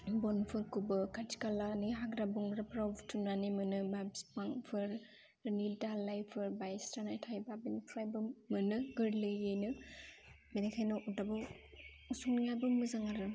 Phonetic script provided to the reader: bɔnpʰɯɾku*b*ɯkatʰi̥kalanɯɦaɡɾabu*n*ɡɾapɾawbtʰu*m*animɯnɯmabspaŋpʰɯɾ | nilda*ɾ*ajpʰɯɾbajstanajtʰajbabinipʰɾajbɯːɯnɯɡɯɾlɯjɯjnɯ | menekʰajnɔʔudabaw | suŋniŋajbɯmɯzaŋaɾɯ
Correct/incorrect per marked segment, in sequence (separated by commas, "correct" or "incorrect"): correct, incorrect, incorrect, incorrect